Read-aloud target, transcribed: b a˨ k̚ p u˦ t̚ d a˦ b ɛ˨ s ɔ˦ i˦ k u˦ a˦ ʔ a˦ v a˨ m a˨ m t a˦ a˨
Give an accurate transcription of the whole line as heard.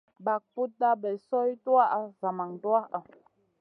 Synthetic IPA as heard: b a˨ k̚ p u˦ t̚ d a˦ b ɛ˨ s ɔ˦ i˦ t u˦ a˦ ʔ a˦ z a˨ m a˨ ŋ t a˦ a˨